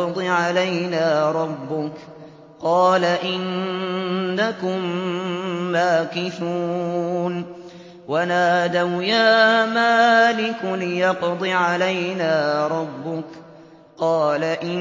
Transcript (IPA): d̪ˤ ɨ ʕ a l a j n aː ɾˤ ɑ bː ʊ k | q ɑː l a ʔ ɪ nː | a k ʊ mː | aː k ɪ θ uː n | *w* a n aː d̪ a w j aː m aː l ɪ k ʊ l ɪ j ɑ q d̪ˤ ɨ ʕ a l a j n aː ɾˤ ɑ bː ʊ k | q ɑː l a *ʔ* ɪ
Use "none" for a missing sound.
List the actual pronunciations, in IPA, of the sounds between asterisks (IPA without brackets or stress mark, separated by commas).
w, ʔ